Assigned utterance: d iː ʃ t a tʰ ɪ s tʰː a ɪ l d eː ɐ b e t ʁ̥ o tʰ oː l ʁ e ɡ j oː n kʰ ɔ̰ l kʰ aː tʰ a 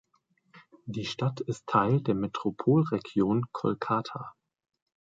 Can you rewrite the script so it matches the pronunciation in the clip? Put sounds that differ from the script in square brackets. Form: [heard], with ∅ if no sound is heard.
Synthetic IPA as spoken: d iː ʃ t a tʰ ɪ s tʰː a ɪ l d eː ɐ [m] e t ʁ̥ o [pʰ] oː l ʁ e ɡ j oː n kʰ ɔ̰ l kʰ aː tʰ a